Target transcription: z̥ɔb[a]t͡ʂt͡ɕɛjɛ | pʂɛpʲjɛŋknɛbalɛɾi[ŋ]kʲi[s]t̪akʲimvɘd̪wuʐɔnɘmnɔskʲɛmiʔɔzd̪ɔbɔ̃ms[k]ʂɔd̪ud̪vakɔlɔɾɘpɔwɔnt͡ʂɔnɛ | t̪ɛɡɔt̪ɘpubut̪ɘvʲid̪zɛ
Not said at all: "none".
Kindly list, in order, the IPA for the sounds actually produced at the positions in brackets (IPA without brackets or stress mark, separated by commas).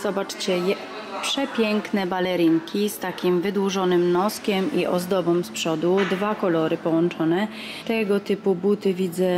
a, ŋ, s, p